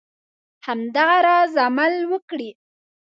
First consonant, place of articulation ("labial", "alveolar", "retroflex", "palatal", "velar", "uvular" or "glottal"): glottal